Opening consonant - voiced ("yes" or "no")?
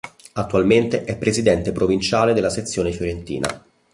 no